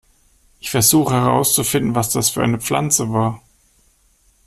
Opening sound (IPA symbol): ʔ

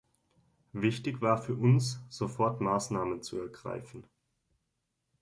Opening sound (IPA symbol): v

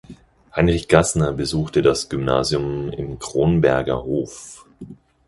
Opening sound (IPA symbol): h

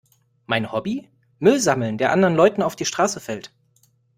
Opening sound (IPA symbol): m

